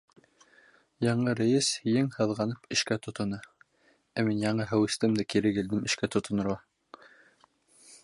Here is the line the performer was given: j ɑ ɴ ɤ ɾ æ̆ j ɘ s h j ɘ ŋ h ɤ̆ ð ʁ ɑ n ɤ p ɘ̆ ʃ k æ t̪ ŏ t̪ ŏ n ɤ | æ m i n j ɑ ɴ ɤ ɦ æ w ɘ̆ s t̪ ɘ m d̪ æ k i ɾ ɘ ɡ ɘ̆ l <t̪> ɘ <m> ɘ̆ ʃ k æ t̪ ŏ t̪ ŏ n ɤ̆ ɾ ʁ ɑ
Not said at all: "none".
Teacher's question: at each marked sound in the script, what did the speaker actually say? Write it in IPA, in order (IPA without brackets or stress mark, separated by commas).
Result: d̪, m